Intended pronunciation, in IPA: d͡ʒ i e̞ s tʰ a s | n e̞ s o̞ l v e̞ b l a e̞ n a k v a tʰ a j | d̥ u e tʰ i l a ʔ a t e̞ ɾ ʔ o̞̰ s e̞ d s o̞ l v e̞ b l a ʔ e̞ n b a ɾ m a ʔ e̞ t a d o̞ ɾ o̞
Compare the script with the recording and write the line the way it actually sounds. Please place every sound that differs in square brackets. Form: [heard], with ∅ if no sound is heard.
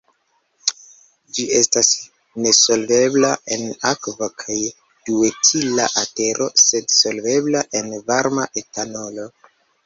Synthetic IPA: d͡ʒ i e̞ s [t] a s | n e̞ s o̞ l v e̞ b l a e̞ n a k v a [kʰ] a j | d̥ u e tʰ i l a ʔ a t e̞ ɾ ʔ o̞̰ s e̞ d s o̞ l v e̞ b l a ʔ e̞ n [v] a ɾ m a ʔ e̞ t a [n] o̞ [l] o̞